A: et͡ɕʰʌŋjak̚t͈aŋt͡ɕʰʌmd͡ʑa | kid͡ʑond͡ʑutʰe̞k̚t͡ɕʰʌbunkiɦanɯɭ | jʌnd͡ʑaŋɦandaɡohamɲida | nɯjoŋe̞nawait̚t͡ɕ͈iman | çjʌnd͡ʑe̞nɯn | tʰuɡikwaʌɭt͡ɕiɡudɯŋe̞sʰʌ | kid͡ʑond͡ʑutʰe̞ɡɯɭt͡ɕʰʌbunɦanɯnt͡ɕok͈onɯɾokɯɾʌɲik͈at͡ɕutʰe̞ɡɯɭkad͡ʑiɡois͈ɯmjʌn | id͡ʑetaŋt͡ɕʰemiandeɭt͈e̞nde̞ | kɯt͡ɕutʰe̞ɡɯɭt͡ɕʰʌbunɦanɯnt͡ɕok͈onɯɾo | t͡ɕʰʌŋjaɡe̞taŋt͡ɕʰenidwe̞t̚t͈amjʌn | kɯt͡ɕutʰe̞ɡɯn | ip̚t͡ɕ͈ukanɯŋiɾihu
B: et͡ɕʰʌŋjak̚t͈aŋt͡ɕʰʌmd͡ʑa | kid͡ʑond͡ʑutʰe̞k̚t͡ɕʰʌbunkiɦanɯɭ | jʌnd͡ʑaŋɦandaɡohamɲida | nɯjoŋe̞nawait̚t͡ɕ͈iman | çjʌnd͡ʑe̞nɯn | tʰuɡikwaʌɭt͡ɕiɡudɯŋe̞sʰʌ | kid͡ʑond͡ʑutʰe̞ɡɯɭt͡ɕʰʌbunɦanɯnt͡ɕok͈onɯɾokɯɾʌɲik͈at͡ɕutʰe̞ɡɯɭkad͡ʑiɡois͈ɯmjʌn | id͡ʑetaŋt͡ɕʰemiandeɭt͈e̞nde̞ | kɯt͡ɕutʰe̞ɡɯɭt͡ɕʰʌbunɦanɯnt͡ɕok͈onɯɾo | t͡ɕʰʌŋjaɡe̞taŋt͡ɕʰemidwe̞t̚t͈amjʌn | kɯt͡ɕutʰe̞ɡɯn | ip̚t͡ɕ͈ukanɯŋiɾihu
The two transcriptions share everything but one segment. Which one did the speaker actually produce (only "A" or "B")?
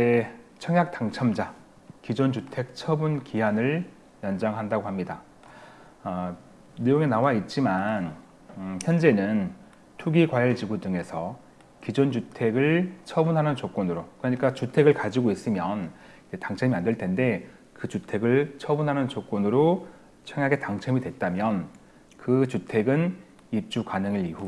B